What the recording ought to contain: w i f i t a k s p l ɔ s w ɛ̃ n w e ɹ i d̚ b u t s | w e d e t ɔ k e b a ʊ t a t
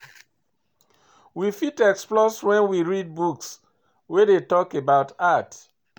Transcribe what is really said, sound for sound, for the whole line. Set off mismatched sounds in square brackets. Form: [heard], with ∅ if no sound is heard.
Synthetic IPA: w i f i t [ɛ] k s p l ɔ s w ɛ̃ n w [i] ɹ i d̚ b u [k] s | w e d e t ɔ k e b a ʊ t a t